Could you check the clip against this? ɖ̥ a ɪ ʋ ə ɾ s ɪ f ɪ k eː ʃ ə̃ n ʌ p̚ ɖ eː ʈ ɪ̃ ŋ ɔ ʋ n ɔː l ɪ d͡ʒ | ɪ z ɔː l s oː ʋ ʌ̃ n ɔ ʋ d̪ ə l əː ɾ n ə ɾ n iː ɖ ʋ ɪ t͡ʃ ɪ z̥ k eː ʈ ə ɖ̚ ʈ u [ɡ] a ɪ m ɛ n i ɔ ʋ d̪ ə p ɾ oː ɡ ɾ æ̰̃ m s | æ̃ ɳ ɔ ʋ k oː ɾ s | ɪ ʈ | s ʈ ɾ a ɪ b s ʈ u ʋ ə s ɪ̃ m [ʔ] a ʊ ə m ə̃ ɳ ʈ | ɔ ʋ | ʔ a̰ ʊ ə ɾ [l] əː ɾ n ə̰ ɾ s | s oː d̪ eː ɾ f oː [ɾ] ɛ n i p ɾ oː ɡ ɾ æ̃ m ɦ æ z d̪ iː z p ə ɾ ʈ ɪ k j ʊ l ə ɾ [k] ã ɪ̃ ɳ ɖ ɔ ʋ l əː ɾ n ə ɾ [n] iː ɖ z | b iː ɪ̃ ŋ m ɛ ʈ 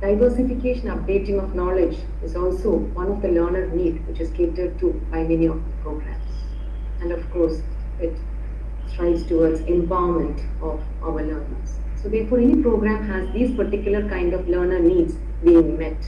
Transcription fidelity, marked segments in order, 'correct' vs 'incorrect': incorrect: b, incorrect: p, correct, correct, correct, correct

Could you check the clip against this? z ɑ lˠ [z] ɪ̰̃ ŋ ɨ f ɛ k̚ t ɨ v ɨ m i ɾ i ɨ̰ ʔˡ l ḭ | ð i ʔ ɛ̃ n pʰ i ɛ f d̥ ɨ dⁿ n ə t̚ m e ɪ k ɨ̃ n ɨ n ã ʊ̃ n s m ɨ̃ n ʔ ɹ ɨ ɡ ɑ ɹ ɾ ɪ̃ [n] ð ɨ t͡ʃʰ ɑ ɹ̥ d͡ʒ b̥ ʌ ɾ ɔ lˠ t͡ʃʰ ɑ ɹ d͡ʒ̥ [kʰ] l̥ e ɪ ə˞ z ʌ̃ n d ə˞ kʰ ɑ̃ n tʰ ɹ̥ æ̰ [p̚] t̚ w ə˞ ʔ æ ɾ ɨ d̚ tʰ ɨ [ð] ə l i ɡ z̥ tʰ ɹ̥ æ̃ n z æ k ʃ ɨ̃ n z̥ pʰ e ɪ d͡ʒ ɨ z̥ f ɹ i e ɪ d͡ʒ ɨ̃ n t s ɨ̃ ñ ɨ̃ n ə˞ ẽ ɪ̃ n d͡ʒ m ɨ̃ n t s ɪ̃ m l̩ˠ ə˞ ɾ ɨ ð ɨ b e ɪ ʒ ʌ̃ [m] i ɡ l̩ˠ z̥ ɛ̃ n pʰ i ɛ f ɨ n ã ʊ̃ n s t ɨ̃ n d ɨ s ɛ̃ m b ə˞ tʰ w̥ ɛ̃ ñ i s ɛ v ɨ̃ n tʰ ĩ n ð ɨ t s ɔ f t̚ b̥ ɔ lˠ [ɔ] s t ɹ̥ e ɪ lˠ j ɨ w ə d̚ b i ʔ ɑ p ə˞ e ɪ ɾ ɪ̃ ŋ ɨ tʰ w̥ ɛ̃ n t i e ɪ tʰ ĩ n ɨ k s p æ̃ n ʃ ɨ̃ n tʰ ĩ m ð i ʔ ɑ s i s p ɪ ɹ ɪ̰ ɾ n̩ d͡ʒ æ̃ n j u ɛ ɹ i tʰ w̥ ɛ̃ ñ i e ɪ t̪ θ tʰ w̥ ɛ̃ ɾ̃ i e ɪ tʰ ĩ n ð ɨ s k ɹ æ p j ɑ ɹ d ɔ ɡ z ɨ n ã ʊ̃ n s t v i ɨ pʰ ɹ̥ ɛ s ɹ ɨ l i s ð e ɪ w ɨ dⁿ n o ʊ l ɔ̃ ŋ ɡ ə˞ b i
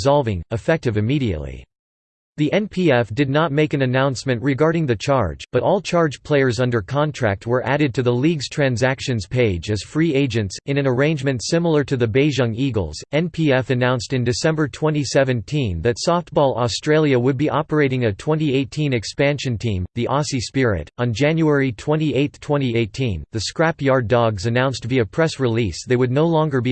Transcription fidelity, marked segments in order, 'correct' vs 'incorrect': incorrect: v, incorrect: ŋ, incorrect: pʰ, incorrect: k̚, correct, incorrect: ŋ, correct

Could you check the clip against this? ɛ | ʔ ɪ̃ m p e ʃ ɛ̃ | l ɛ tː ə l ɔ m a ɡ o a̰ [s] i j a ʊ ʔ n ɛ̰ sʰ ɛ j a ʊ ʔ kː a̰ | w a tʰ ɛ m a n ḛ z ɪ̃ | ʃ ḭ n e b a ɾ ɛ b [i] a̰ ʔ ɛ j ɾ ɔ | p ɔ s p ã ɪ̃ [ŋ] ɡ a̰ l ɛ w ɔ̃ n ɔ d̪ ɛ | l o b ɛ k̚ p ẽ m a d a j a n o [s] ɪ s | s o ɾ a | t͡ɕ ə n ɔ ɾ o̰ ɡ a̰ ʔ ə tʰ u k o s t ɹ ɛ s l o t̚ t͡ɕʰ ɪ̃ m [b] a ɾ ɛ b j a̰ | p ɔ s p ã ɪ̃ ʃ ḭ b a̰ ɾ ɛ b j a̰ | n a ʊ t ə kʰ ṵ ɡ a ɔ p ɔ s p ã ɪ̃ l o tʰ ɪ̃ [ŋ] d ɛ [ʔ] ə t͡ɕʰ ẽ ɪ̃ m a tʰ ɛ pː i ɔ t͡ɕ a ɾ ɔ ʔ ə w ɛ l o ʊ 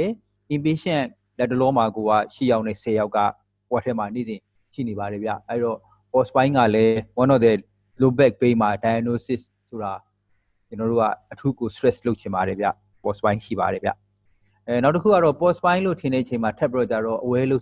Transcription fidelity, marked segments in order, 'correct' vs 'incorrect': incorrect: ʃ, incorrect: j, correct, correct, correct, incorrect: n, correct

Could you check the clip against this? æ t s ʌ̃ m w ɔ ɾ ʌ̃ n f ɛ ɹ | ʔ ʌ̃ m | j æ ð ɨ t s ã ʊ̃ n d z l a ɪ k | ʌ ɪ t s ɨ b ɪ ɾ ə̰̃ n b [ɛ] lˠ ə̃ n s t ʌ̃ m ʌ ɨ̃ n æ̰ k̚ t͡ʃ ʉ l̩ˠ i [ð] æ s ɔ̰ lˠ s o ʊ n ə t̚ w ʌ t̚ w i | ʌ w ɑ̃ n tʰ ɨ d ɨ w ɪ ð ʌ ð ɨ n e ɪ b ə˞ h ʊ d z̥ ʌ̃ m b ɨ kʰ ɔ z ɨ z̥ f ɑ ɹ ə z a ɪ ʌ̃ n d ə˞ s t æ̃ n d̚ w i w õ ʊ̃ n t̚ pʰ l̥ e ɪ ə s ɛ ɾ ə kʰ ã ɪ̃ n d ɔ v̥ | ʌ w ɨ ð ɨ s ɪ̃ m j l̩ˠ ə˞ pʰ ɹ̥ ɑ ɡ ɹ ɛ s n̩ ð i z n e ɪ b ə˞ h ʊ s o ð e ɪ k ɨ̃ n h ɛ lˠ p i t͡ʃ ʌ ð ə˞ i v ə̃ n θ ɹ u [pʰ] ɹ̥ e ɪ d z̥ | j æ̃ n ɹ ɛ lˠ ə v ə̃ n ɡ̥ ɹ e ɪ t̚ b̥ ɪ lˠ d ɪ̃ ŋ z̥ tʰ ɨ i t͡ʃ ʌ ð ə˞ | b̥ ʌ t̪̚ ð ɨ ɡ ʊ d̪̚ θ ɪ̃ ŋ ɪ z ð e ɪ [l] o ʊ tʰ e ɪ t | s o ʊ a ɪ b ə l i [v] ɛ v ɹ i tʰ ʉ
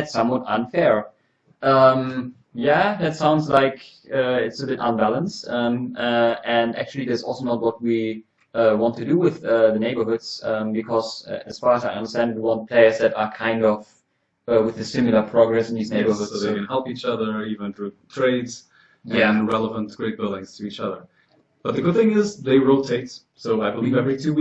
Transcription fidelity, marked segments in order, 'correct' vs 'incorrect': incorrect: æ, correct, incorrect: tʰ, incorrect: ɹ, correct

